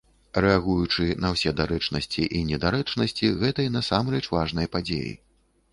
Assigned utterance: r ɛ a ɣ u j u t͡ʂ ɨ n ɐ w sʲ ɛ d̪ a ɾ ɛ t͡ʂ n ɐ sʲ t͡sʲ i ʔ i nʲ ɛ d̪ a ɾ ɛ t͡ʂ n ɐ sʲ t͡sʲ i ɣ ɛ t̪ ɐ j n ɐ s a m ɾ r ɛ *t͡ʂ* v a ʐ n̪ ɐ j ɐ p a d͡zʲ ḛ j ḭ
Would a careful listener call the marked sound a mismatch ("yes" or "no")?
no